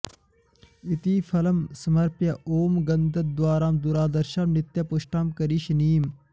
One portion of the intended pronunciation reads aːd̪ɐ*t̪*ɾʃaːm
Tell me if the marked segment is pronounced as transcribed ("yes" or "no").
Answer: no